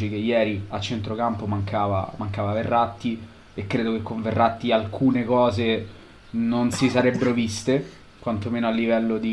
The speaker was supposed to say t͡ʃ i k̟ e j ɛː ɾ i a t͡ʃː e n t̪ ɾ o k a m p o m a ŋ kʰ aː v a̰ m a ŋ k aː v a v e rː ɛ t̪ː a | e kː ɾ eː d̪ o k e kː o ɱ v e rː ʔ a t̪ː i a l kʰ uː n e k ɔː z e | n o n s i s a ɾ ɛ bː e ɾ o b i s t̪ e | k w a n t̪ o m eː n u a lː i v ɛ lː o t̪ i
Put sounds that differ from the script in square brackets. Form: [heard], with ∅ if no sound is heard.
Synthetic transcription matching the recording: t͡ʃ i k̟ e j ɛː ɾ i a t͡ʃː e n t̪ ɾ o k a m p o m a ŋ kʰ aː v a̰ m a ŋ k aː v a v e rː [a] t̪ː [i] | e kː ɾ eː d̪ o k e kː o ɱ v e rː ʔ a t̪ː i a l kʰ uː n e k ɔː z e | n o n s i s a ɾ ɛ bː e ɾ o [v] i s t̪ e | k w a n t̪ o m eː n [o] a lː i v ɛ lː o [d̪] i